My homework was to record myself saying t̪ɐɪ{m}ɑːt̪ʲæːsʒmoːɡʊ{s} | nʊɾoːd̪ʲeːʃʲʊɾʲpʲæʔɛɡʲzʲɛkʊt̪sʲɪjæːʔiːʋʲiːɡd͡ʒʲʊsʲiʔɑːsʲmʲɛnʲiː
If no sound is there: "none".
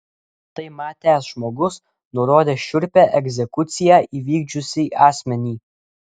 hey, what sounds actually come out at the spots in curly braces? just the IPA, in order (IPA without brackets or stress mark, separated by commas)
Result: m, s